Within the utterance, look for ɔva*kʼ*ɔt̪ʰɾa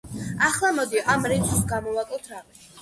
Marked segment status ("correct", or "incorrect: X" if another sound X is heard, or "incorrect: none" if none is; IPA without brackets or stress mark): correct